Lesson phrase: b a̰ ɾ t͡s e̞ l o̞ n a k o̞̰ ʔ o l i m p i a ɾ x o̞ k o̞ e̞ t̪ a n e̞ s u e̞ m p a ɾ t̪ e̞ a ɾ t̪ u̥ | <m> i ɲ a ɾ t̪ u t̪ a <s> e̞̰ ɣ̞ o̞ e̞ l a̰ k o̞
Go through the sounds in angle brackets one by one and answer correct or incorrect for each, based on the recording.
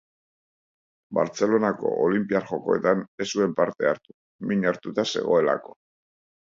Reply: correct, correct

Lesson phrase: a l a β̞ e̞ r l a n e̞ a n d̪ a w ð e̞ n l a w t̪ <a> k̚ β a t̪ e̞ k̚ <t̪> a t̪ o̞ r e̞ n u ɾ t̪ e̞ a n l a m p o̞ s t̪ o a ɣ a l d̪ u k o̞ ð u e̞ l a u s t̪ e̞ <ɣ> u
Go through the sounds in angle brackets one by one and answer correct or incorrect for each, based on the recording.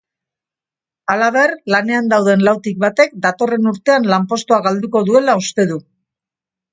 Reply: incorrect, incorrect, incorrect

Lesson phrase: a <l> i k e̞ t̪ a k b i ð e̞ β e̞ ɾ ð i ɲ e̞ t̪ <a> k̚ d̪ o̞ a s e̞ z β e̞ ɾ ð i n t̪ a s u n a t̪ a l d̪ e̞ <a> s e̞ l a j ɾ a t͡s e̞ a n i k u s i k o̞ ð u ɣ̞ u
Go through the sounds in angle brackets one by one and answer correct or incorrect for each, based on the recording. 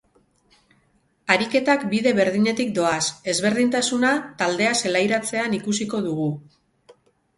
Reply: incorrect, incorrect, correct

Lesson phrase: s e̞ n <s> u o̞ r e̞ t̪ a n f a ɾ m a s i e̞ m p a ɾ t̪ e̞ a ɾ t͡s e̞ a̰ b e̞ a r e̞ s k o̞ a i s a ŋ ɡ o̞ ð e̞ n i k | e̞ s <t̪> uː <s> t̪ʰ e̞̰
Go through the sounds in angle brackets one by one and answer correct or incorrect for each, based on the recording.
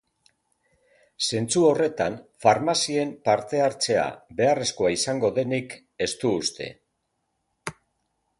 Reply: incorrect, correct, correct

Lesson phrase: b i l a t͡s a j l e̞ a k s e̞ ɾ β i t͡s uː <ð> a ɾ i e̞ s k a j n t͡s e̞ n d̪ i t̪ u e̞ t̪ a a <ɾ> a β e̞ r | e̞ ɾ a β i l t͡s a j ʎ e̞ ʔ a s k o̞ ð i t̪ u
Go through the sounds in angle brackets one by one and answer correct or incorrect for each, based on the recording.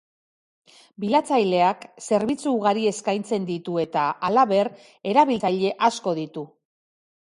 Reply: incorrect, incorrect

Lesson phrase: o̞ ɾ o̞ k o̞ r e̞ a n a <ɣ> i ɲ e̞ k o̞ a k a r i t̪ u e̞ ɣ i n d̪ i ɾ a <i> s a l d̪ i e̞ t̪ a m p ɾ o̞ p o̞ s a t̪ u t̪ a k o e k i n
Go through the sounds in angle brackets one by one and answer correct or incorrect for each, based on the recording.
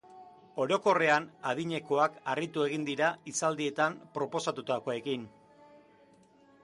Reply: incorrect, correct

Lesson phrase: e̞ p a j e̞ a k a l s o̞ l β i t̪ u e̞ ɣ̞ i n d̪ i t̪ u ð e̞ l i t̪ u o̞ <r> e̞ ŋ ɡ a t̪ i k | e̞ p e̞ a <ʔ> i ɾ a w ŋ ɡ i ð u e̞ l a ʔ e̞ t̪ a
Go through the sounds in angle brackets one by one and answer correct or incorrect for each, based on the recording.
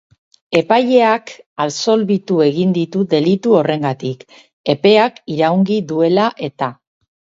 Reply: correct, incorrect

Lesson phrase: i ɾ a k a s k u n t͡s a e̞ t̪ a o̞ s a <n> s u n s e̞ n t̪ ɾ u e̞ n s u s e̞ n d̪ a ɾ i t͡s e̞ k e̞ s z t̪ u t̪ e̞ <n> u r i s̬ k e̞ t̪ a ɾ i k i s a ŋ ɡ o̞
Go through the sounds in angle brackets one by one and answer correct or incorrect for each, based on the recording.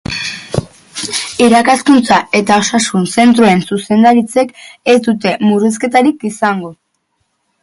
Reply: incorrect, incorrect

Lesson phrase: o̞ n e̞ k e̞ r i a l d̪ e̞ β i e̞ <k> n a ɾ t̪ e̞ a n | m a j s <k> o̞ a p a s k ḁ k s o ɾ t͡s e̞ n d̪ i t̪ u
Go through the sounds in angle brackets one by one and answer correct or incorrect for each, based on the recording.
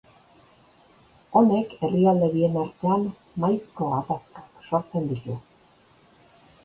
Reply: incorrect, correct

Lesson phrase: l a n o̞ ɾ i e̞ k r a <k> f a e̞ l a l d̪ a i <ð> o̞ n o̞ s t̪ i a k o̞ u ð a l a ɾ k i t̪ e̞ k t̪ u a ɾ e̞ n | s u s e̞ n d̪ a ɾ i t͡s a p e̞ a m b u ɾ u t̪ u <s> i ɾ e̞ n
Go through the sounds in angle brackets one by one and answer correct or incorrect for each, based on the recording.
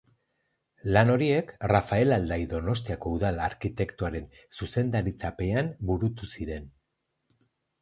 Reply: incorrect, correct, correct

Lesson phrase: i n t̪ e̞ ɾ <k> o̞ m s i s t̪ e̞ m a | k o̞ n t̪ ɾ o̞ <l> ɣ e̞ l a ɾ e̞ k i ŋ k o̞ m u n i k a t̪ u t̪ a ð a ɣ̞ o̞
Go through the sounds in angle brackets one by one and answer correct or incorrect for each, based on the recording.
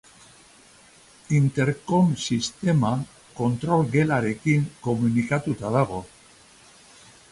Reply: correct, correct

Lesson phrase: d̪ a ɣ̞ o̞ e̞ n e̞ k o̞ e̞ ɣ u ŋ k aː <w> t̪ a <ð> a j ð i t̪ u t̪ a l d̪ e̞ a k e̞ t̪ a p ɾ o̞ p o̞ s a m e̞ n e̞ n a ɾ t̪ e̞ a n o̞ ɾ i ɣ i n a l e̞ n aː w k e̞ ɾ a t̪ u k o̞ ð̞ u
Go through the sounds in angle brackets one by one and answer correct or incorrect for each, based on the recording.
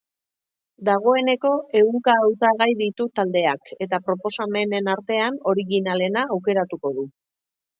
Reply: correct, incorrect

